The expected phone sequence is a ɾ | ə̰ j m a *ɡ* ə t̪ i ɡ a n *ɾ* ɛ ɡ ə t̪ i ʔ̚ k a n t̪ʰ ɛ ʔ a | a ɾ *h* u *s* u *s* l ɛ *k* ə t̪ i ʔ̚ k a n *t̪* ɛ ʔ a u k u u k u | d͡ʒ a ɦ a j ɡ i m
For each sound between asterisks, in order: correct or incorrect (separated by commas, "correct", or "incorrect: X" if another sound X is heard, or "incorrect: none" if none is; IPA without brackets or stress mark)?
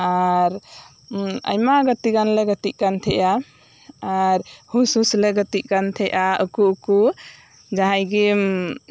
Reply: correct, incorrect: l, correct, correct, correct, incorrect: ɡ, incorrect: t̪ʰ